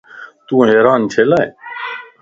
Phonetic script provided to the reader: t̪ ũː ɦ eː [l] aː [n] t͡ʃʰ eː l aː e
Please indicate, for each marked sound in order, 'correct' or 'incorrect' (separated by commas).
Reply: incorrect, correct